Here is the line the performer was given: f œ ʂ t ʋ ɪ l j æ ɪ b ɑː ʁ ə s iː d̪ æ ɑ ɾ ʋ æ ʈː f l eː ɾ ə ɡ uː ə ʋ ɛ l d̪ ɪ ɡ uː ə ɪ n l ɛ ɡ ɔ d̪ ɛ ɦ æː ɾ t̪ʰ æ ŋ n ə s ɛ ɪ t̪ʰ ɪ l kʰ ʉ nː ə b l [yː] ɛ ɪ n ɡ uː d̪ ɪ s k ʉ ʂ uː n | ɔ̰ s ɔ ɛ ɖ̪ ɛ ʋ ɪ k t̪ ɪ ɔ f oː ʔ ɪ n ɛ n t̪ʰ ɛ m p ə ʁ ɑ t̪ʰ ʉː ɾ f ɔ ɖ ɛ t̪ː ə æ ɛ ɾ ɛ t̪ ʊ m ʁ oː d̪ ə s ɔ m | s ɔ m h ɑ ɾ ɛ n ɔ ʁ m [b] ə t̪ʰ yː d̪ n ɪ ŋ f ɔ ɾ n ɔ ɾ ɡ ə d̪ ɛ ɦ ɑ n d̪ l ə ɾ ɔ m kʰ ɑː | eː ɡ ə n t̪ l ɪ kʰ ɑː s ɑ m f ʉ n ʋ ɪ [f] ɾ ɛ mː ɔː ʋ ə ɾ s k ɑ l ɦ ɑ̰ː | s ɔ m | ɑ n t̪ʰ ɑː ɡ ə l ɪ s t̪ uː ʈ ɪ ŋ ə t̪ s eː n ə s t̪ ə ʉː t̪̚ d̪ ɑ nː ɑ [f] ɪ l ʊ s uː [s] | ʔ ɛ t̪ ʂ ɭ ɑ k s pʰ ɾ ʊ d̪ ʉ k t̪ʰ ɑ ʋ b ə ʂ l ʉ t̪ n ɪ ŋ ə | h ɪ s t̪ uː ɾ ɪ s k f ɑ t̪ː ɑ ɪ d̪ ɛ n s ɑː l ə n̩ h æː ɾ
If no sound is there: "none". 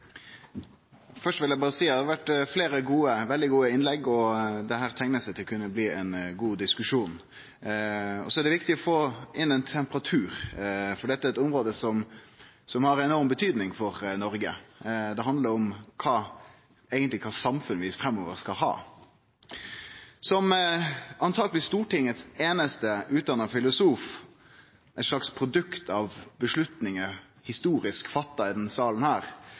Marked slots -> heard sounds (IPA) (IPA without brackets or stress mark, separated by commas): iː, b, f, f, f